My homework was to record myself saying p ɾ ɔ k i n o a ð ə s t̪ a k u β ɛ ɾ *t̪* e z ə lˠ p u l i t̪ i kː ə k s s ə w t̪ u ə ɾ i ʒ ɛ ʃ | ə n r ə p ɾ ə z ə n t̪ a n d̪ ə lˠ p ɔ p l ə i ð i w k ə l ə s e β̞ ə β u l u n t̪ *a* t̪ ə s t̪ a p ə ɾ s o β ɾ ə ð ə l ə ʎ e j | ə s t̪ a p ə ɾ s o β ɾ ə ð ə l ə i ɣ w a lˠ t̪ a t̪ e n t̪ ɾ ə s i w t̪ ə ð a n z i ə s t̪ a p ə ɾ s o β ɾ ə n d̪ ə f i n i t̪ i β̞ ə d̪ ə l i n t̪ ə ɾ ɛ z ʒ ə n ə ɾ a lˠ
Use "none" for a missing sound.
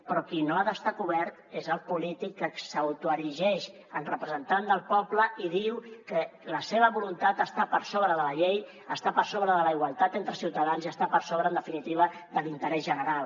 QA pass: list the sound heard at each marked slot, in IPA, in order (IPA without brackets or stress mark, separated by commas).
t̪, a